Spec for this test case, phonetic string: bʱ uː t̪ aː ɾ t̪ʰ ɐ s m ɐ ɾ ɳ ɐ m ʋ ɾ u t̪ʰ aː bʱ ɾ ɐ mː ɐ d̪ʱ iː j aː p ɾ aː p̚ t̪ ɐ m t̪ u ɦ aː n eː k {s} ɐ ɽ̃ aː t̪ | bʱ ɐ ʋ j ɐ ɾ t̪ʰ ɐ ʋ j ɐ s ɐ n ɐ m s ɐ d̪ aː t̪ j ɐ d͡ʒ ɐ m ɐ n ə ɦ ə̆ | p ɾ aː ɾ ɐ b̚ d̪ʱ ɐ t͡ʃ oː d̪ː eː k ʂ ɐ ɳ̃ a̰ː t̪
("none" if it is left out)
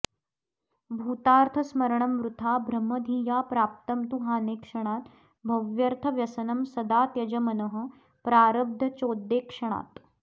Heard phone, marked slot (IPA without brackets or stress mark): ʂ